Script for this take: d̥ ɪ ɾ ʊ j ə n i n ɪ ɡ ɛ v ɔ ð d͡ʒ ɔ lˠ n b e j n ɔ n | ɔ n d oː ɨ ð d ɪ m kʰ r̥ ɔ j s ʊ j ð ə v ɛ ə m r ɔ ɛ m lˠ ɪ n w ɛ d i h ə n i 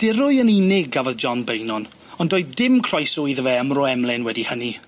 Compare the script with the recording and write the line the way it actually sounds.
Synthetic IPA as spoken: d̥ ɪ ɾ ʊ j ə n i n ɪ ɡ a v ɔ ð d͡ʒ ɔ n b e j n ɔ n | ɔ n d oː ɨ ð d ɪ m kʰ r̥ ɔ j s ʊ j ð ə v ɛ ə m r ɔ ɛ m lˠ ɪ n w ɛ d i h ə n i